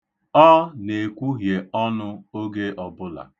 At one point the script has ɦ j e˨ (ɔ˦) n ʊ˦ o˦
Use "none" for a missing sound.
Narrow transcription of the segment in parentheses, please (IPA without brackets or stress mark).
ɔ˦